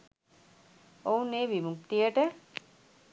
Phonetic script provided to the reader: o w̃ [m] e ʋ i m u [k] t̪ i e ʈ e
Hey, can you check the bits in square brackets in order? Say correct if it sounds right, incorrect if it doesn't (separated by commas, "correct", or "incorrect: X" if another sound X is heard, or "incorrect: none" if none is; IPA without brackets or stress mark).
incorrect: n, correct